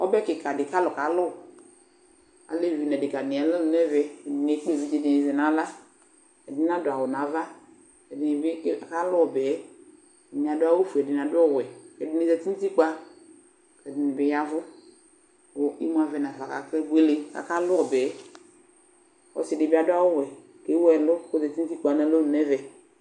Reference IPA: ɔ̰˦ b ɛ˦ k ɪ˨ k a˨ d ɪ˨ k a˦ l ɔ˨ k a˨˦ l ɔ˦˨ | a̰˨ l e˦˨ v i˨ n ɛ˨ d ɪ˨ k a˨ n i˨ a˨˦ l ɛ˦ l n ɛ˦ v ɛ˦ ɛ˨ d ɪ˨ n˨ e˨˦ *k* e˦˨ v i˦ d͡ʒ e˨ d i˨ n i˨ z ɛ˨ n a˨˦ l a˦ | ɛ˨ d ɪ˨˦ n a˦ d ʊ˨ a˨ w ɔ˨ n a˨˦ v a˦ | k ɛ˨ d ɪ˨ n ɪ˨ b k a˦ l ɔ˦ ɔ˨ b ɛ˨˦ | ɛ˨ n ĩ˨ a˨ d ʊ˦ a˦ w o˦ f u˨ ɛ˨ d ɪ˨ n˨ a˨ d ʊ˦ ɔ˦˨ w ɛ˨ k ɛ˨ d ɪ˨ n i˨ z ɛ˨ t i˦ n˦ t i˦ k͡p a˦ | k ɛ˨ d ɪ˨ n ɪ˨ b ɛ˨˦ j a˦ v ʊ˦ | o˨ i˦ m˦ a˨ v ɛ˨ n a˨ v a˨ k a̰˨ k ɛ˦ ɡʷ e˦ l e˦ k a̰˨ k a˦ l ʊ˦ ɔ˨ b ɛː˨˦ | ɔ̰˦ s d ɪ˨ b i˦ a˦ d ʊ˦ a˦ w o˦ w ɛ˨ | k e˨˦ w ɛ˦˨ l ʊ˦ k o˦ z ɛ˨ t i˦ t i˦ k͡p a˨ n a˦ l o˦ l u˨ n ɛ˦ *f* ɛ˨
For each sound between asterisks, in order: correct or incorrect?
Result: incorrect, incorrect

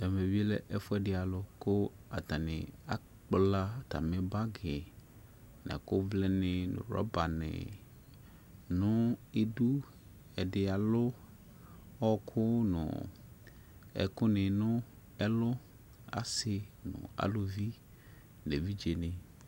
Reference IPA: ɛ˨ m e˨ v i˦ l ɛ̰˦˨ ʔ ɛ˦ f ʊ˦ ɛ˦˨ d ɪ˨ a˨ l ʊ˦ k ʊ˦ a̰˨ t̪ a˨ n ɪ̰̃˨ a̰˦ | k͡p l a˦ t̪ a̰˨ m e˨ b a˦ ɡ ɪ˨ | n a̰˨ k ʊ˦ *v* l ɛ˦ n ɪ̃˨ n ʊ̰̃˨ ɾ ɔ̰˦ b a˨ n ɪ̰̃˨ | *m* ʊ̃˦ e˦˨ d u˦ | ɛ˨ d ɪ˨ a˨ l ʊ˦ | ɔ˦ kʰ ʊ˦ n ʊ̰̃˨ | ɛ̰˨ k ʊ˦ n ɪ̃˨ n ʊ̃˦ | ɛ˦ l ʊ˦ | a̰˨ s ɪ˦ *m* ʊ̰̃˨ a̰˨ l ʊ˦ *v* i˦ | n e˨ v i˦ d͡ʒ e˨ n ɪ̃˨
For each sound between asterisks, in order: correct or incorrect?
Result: correct, incorrect, incorrect, correct

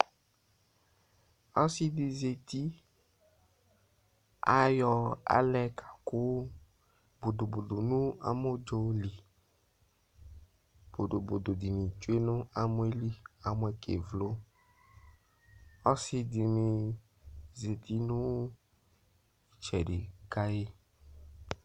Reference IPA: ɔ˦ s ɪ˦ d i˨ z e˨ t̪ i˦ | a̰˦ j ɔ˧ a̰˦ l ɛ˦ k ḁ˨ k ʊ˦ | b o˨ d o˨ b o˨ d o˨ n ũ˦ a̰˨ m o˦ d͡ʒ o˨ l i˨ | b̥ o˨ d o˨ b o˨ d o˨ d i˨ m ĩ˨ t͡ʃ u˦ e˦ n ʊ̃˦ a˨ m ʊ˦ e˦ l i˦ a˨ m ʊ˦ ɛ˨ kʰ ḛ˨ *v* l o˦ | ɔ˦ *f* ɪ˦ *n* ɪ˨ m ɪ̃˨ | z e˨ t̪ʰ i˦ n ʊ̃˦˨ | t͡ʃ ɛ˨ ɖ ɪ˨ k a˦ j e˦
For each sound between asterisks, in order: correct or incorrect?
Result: correct, incorrect, incorrect

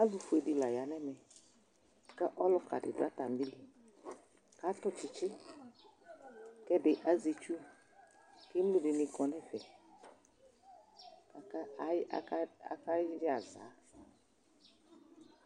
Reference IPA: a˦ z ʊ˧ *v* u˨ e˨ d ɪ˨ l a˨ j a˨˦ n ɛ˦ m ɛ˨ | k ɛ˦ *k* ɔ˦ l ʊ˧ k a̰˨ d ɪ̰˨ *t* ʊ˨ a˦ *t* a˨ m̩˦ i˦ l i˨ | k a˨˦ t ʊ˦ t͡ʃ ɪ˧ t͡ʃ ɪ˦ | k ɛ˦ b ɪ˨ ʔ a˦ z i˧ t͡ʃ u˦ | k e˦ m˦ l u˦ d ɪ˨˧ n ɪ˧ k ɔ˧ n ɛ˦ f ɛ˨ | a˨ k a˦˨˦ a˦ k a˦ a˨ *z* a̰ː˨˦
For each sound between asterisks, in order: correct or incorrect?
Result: incorrect, incorrect, incorrect, correct, correct

